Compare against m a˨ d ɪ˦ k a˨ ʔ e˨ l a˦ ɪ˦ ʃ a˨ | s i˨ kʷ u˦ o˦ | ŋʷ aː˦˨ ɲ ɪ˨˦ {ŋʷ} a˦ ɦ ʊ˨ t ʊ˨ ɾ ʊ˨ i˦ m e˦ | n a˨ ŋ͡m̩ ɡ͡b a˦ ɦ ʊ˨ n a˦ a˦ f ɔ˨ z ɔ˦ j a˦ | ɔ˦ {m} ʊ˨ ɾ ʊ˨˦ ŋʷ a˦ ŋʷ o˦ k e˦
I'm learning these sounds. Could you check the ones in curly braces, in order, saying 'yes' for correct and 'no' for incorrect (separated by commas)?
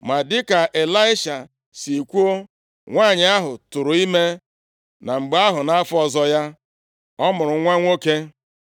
no, yes